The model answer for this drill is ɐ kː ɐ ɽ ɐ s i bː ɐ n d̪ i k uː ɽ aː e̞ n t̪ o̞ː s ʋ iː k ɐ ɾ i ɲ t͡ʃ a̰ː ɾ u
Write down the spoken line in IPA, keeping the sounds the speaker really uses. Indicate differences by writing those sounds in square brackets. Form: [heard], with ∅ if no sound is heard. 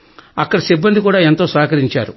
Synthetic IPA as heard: ɐ kː ɐ ɽ ɐ s i bː ɐ n d̪ i k uː ɽ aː e̞ n t̪ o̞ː s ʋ [aː] k ɐ ɾ i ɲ t͡ʃ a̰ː ɾ u